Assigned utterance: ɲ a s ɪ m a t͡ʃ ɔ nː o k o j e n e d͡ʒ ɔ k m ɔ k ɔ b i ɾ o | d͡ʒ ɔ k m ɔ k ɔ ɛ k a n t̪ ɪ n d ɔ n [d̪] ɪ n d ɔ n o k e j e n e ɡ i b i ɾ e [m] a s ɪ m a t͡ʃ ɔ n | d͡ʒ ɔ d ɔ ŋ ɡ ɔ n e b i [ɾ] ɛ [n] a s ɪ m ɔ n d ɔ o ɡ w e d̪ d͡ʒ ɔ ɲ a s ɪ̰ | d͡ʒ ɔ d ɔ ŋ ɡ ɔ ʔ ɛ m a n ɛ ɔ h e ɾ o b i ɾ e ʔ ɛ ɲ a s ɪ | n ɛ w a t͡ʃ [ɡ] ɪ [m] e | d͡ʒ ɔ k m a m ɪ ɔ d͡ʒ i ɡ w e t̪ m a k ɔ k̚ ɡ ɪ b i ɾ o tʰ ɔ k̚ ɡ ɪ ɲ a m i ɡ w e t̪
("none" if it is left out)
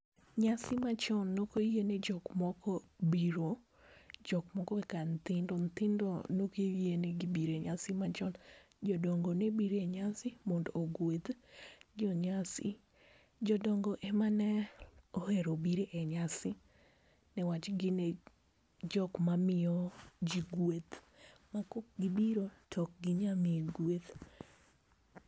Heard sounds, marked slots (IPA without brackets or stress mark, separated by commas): t̪, ɲ, ɾ, ɲ, ɡ, n